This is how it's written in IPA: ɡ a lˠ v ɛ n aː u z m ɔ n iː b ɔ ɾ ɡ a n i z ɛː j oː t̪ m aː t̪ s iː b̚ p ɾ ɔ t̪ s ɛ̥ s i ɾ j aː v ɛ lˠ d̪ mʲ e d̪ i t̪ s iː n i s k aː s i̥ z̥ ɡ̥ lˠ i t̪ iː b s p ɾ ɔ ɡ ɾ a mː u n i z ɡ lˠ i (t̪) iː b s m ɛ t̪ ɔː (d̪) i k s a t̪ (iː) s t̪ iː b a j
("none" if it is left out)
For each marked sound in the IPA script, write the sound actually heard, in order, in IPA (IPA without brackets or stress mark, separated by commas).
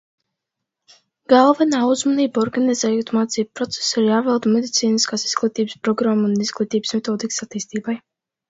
t̪, d̪, iː